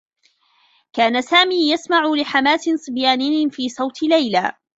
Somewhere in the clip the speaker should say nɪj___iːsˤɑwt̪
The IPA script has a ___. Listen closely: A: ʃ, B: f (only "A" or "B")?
B